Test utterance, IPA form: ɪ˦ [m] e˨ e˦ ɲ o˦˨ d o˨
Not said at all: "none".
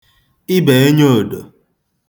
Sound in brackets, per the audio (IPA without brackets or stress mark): b